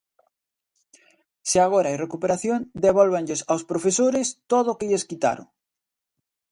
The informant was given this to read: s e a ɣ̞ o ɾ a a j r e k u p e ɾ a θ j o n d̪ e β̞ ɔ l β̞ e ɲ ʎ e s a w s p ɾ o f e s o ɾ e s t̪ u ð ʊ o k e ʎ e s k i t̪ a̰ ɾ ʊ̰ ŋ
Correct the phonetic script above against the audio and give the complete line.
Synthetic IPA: s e a ɣ̞ o ɾ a a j r e k u p e ɾ a θ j o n d̪ e β̞ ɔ l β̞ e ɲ ʎ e s a w s p ɾ o f e s o ɾ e s t̪ o ð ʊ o k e ʎ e s k i t̪ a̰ ɾ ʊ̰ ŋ